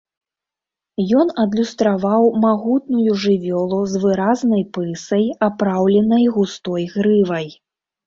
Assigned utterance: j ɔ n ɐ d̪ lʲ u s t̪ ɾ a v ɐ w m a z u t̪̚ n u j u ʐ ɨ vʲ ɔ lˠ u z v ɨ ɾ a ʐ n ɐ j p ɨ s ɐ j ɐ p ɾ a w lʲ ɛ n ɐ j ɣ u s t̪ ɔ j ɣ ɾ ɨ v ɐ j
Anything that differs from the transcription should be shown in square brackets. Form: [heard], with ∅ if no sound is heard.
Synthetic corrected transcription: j ɔ n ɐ d̪ lʲ u s t̪ ɾ a v [a] w m a [ɣ] u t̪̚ n u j u ʐ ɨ vʲ ɔ lˠ u z v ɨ ɾ a [z] n ɐ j p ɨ s ɐ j [a] p ɾ a w lʲ ɛ n ɐ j ɣ u s t̪ ɔ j ɣ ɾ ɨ v ɐ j

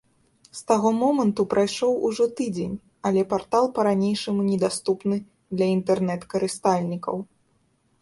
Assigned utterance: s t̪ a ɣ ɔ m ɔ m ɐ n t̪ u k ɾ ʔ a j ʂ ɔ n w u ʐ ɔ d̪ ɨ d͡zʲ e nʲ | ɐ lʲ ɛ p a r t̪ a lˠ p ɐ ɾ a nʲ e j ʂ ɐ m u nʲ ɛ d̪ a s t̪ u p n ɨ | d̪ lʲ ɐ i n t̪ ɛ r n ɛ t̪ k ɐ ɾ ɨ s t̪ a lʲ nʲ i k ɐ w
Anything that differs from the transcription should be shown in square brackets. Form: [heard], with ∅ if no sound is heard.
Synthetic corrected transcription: s t̪ a ɣ ɔ m ɔ m ɐ n t̪ u [p] ɾ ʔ a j ʂ ɔ [∅] w u ʐ ɔ [t̪] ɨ d͡zʲ e nʲ | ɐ lʲ ɛ p a r t̪ a lˠ p ɐ ɾ a nʲ e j ʂ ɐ m u nʲ ɛ d̪ a s t̪ u p n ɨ | d̪ lʲ ɐ i n t̪ ɛ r n ɛ t̪ k ɐ ɾ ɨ s t̪ a lʲ nʲ i k ɐ w

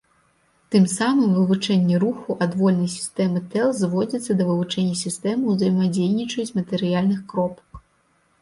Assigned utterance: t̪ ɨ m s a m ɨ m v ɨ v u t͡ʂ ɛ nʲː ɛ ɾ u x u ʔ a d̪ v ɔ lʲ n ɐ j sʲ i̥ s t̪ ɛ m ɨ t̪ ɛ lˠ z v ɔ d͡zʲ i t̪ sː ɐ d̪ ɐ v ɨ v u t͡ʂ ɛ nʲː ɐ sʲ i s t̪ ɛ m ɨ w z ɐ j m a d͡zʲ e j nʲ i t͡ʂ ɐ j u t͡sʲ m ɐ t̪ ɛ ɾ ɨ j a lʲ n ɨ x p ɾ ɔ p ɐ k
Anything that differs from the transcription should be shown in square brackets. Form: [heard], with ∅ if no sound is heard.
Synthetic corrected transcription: t̪ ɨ m s a m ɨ m v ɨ v u t͡ʂ ɛ nʲː ɛ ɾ u x u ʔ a d̪ v ɔ lʲ n ɐ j sʲ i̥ s t̪ ɛ m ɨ t̪ ɛ lˠ z v ɔ d͡zʲ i t̪ sː ɐ d̪ ɐ v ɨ v u t͡ʂ ɛ nʲː ɐ sʲ i s t̪ ɛ m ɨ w z ɐ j m a d͡zʲ e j nʲ i t͡ʂ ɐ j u t͡sʲ m ɐ t̪ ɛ ɾ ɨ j a lʲ n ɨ x [k] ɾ ɔ p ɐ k

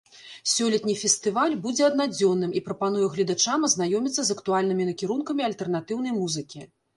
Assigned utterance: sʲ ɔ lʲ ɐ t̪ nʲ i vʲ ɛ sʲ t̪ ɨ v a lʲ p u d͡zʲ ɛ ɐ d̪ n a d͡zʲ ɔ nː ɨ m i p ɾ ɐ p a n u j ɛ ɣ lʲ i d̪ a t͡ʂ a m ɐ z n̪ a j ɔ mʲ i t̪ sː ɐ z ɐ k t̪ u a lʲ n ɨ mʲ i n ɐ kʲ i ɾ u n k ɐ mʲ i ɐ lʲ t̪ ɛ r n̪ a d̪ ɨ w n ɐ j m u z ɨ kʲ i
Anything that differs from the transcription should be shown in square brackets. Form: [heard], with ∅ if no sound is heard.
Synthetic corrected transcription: sʲ ɔ lʲ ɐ t̪ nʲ i [fʲ] ɛ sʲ t̪ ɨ v a lʲ [b] u d͡zʲ ɛ ɐ d̪ n a d͡zʲ ɔ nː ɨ m i p ɾ ɐ p a n u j ɛ ɣ lʲ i d̪ a t͡ʂ a m ɐ z n̪ a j ɔ mʲ i t̪ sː ɐ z ɐ k t̪ u a lʲ n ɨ mʲ i n ɐ kʲ i ɾ u n k ɐ mʲ i ɐ lʲ t̪ ɛ r n̪ a [t̪] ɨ w n ɐ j m u z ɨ kʲ i

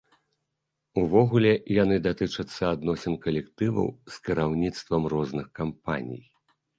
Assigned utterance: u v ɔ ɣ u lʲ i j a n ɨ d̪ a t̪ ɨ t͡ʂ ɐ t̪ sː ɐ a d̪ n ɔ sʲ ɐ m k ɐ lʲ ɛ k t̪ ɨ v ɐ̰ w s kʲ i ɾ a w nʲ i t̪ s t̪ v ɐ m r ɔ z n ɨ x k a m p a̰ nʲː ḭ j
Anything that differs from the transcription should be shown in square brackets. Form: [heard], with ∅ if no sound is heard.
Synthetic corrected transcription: u v ɔ ɣ u lʲ [ɛ] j a n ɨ d̪ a t̪ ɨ t͡ʂ ɐ t̪ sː ɐ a d̪ n ɔ sʲ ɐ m k ɐ lʲ ɛ k t̪ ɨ v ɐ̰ w s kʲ i ɾ a w nʲ i t̪ s t̪ v ɐ m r ɔ z n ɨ x k a m p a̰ [nʲ] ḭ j

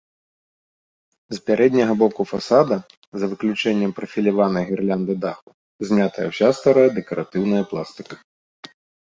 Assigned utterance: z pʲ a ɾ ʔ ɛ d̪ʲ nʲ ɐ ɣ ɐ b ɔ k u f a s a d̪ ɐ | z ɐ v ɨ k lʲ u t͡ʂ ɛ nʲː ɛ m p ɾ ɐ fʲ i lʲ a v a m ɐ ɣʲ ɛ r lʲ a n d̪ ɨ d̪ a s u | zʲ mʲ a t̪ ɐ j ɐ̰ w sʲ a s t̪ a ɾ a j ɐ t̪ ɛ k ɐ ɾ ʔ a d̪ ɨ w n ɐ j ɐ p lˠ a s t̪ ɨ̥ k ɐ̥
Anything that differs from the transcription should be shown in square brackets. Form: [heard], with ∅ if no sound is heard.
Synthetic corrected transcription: z pʲ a ɾ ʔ ɛ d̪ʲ nʲ ɐ ɣ ɐ b ɔ k u f a s a d̪ ɐ | z ɐ v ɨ k lʲ u t͡ʂ ɛ nʲː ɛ m p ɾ ɐ fʲ i lʲ a v a [n] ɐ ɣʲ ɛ r lʲ a n d̪ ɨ d̪ a [x] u | zʲ mʲ a t̪ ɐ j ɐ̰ w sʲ a s t̪ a ɾ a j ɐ [d̪] ɛ k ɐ ɾ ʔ a [t̪] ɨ w n ɐ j ɐ p lˠ a s t̪ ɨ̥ k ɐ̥

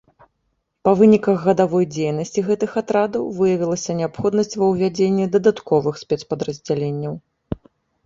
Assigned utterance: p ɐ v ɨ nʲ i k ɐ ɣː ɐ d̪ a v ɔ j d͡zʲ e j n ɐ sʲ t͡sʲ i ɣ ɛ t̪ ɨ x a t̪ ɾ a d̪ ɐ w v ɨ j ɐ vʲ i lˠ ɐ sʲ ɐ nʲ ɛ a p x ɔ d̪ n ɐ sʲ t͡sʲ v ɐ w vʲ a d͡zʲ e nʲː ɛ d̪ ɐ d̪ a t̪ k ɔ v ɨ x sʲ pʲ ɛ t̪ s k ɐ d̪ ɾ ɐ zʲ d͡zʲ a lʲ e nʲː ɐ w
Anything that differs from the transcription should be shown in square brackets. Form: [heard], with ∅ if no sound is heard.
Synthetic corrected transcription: p ɐ v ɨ nʲ i k ɐ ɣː ɐ d̪ a v ɔ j d͡zʲ e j n ɐ sʲ t͡sʲ i ɣ ɛ t̪ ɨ x a t̪ ɾ a d̪ ɐ w v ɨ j ɐ vʲ i lˠ ɐ sʲ ɐ nʲ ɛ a p x ɔ d̪ n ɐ sʲ t͡sʲ v ɐ w vʲ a d͡zʲ e nʲː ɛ d̪ ɐ d̪ a t̪ k ɔ v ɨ x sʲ pʲ ɛ t̪ s [p] ɐ d̪ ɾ ɐ zʲ d͡zʲ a lʲ e nʲː ɐ w

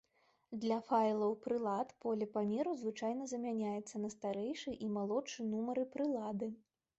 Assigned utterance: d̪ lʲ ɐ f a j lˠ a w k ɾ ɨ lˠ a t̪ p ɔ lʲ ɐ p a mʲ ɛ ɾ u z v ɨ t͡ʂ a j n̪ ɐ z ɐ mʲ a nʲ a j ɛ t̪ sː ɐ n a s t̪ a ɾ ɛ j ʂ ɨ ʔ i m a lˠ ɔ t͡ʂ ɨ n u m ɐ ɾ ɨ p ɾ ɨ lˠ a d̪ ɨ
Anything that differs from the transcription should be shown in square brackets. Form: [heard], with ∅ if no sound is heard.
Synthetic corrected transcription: d̪ lʲ ɐ f a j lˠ [ɐ] w [p] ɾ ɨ lˠ a t̪ p ɔ lʲ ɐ p a mʲ ɛ ɾ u z v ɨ t͡ʂ a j n̪ ɐ z ɐ mʲ a nʲ a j ɛ t̪ sː ɐ n [ɐ] s t̪ a ɾ ɛ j ʂ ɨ ʔ i m a lˠ ɔ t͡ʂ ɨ n u m ɐ ɾ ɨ p ɾ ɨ lˠ a d̪ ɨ

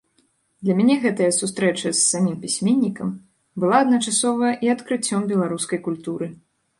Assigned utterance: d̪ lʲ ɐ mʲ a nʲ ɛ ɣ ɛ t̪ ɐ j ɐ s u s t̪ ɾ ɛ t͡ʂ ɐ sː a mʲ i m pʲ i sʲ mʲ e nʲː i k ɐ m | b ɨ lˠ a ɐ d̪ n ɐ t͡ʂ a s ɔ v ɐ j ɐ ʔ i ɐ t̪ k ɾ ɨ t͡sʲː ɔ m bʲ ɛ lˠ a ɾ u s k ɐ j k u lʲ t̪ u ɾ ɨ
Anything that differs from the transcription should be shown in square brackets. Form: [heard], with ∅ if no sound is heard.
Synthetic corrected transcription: d̪ lʲ ɐ mʲ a nʲ ɛ ɣ ɛ t̪ ɐ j ɐ s u s t̪ ɾ ɛ t͡ʂ ɐ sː a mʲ i m pʲ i sʲ mʲ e nʲː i k ɐ m | b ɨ lˠ a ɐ d̪ n ɐ t͡ʂ a s ɔ v ɐ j ɐ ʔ i ɐ t̪ k ɾ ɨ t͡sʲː ɔ m bʲ ɛ lˠ a ɾ u s k ɐ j k u lʲ t̪ u ɾ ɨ

